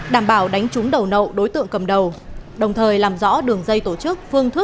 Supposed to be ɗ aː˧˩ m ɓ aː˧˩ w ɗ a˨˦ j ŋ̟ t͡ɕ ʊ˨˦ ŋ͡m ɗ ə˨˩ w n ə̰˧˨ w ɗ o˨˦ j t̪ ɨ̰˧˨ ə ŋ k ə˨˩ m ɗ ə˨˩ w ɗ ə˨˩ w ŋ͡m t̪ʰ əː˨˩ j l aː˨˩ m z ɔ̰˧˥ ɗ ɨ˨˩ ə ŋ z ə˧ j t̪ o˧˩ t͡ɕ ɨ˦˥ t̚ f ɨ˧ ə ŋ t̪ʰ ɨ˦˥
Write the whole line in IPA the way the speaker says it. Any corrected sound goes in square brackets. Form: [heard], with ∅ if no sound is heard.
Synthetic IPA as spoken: ɗ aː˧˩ m ɓ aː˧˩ w ɗ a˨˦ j ŋ̟ t͡ɕ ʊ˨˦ ŋ͡m ɗ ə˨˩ w n ə̰˧˨ w ɗ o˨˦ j t̪ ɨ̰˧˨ ə ŋ k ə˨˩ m ɗ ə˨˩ w ɗ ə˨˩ w ŋ͡m t̪ʰ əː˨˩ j l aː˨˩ m z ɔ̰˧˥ ɗ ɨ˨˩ ə ŋ z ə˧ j t̪ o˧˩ t͡ɕ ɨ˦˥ [k̚] f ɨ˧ ə ŋ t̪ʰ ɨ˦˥